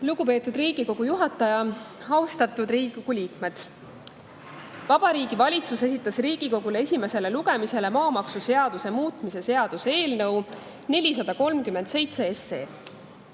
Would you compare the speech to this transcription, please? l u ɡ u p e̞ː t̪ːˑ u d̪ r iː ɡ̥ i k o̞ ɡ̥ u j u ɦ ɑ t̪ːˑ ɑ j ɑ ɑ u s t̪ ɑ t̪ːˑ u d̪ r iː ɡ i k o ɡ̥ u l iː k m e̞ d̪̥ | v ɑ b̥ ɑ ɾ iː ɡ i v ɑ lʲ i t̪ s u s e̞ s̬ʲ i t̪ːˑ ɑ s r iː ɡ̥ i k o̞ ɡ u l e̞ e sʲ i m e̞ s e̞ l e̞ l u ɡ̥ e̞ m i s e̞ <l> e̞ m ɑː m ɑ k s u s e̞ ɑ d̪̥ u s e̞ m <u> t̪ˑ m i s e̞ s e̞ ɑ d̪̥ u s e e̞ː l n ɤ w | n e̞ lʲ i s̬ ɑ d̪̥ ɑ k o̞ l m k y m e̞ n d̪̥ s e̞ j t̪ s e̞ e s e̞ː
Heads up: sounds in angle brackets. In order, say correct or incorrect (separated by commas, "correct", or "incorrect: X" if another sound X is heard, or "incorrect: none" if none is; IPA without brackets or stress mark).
correct, incorrect: uː